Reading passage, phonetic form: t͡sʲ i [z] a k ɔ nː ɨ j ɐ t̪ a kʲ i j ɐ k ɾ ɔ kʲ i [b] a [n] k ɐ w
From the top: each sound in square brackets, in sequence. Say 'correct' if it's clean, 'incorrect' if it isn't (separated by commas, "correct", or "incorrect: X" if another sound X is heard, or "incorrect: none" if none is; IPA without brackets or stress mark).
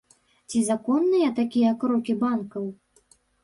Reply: correct, correct, correct